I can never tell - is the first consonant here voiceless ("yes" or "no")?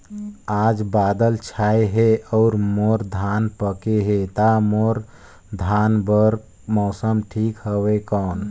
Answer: no